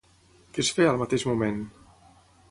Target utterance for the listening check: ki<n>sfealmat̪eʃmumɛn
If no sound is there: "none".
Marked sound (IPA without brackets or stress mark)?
none